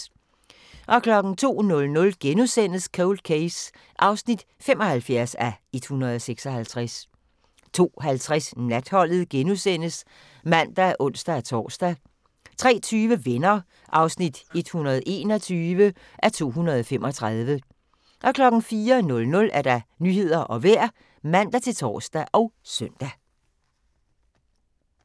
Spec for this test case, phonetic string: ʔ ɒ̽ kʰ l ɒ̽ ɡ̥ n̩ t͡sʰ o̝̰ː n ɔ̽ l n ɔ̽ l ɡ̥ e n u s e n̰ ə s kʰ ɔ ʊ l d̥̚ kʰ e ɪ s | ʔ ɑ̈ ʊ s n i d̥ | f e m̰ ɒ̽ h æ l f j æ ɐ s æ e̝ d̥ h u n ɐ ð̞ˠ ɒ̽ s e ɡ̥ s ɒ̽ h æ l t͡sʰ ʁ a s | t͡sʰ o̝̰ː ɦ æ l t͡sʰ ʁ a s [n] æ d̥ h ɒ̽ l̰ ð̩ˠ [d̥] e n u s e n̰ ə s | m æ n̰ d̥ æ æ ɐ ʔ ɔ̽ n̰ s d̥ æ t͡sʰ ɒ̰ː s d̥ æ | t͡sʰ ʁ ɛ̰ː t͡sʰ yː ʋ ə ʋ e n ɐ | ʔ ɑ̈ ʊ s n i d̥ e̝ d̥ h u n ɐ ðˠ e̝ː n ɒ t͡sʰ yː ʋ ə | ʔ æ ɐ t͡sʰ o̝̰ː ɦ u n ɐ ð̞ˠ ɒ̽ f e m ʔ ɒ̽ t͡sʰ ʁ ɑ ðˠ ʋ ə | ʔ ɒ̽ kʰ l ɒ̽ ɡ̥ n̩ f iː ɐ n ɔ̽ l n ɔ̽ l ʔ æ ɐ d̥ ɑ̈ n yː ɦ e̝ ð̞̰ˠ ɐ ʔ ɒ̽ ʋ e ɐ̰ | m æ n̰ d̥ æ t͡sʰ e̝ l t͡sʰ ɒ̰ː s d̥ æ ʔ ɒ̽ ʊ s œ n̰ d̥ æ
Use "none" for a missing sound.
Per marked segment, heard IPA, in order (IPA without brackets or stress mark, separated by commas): n, ɡ̥